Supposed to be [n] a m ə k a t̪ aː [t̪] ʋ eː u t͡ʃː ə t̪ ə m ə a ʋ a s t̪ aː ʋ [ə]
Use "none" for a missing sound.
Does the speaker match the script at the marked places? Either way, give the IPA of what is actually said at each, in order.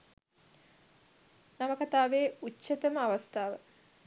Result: n, none, ə

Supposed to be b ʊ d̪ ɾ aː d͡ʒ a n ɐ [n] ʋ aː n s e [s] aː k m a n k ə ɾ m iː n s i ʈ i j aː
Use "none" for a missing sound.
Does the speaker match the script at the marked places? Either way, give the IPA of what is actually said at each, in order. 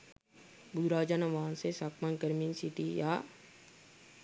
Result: none, s

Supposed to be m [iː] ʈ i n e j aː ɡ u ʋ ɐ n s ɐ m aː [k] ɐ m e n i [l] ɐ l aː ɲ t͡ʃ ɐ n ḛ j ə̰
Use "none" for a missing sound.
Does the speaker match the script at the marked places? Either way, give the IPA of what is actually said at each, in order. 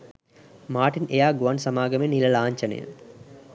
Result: aː, ɡ, l

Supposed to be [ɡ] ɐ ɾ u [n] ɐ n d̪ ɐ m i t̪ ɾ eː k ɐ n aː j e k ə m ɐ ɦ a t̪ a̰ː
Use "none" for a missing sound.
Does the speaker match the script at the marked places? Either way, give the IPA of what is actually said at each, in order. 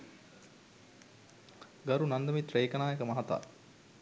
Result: ɡ, n

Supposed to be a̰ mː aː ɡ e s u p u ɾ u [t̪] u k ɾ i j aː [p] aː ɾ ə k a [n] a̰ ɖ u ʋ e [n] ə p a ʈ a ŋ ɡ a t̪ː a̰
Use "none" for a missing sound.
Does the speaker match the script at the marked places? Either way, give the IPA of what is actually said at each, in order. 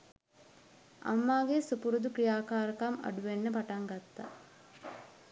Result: d̪, k, m, nː

